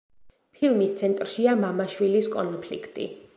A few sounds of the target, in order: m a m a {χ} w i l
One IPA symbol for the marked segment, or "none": ʃ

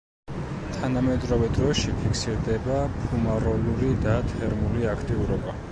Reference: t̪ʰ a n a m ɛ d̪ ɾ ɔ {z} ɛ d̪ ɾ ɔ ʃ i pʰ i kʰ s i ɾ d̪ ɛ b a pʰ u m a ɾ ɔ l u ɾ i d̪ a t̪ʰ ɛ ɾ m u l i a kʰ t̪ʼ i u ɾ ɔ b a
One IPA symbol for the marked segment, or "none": v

